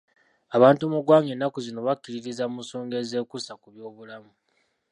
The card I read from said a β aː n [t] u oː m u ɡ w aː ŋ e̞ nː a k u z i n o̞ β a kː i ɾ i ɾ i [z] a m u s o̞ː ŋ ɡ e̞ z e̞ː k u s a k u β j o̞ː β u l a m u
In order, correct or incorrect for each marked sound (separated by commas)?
correct, correct